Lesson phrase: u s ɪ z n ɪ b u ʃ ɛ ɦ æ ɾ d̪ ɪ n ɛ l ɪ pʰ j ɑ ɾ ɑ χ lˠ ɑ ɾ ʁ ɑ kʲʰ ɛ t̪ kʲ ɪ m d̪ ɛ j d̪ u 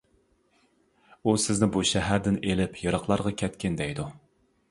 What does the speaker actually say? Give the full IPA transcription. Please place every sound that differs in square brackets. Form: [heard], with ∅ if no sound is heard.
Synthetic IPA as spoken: u s ɪ z n ɪ b u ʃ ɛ ɦ æ ɾ d̪ ɪ n [e] l ɪ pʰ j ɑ ɾ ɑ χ lˠ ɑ ɾ ʁ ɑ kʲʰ ɛ t̪ kʲ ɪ [n] d̪ ɛ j d̪ u